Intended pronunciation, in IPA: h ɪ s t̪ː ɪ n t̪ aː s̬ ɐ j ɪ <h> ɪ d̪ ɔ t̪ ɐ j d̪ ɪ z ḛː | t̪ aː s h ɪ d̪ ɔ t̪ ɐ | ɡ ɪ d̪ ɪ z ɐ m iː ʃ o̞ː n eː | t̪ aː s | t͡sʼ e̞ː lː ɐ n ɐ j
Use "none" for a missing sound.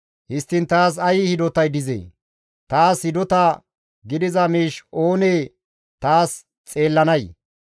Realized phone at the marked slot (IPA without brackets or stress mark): h